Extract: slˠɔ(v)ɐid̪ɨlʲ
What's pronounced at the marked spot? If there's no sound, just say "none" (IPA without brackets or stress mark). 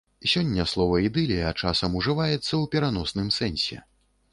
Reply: v